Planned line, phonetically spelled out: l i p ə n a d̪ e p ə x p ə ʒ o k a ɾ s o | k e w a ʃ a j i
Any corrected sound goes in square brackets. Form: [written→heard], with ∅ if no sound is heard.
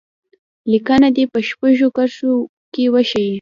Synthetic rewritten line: l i [p→k] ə n a d̪ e p ə [x→ʃ] p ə ʒ o k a ɾ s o | k e w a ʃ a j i

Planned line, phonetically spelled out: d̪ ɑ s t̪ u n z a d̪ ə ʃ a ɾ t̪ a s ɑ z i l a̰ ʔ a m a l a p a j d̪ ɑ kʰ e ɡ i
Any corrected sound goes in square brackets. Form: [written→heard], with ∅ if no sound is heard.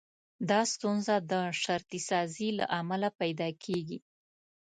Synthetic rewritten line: d̪ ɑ s t̪ u n z a d̪ ə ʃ a ɾ t̪ [a→i] s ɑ z i l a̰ ʔ a m a l a p a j d̪ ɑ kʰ e ɡ i

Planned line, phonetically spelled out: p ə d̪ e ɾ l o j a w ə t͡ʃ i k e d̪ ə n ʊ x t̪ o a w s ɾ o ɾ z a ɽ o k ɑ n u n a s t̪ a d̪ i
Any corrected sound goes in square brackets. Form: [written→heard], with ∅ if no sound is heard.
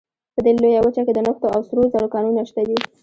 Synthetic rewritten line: p ə d̪ e [ɾ→∅] l o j a w ə t͡ʃ [i→a] k e d̪ ə n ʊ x t̪ o a w s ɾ o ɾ z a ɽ o k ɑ n u n a [s→ʃ] t̪ a d̪ i

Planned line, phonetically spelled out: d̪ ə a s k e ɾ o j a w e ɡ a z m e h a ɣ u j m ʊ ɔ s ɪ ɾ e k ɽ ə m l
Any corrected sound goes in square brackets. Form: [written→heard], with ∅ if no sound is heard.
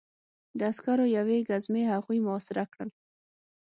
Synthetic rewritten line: d̪ ə a s k [e→a] ɾ o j a w e ɡ a z m e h a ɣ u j m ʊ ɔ s ɪ ɾ [e→a] k ɽ ə [m→∅] l

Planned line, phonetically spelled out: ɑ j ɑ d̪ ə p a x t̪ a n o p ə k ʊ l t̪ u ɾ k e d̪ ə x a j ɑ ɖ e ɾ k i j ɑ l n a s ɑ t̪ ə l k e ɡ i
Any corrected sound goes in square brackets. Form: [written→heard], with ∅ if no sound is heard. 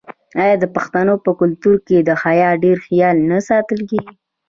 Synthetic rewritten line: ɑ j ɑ d̪ ə p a x t̪ a n o p ə k ʊ l t̪ u ɾ k e d̪ ə x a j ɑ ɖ e ɾ [k→x] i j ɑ l n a s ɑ t̪ ə l k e ɡ i

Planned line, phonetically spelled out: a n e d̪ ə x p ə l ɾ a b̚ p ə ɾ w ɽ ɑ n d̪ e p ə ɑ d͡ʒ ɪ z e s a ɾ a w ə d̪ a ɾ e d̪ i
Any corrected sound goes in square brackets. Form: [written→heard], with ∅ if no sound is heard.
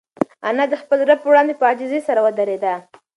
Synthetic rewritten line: a n [e→a] d̪ ə x p ə l ɾ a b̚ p ə [ɾ→∅] w ɽ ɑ n d̪ e p ə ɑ d͡ʒ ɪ z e s a ɾ a w ə d̪ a ɾ e d̪ [i→a]

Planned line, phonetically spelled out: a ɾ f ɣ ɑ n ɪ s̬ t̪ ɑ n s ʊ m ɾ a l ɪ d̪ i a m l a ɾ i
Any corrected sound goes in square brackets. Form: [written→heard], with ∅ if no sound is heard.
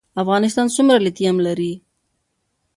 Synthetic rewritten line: a [ɾ→∅] f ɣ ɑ n ɪ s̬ t̪ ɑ n s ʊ m ɾ a l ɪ [d̪→t̪] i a m l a ɾ i

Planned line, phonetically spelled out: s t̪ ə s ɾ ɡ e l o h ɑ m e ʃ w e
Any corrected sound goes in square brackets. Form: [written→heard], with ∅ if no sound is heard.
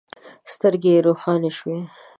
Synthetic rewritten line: s t̪ ə [s→∅] ɾ ɡ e [l→ɾ] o [h→x] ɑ [m→n] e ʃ w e

